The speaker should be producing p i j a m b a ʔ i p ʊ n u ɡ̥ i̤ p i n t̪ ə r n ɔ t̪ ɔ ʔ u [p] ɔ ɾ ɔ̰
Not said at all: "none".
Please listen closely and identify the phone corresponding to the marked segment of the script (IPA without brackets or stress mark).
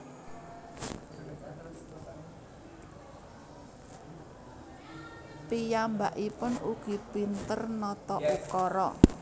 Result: k